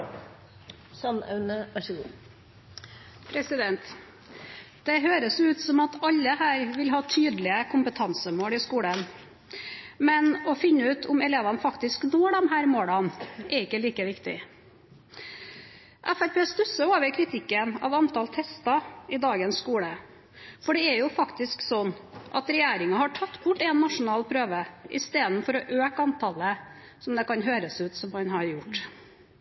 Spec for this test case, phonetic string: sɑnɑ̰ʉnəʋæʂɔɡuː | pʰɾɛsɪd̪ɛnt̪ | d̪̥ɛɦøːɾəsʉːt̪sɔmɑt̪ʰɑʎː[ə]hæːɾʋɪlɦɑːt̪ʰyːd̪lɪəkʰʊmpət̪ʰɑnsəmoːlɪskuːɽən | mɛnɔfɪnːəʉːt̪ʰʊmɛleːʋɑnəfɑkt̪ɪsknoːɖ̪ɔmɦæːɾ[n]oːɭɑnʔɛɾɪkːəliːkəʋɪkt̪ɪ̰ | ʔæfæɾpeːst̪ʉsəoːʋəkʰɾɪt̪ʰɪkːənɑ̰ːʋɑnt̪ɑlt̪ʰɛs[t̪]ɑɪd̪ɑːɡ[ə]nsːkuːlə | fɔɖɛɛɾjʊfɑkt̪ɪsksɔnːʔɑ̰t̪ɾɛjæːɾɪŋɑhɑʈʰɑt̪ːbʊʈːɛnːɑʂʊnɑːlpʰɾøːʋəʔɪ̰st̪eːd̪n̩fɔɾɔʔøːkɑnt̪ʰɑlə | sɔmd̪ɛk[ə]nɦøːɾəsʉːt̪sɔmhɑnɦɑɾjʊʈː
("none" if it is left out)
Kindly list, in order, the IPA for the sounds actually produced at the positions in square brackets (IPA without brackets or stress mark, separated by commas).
ə, m, t̪, ə, ɑ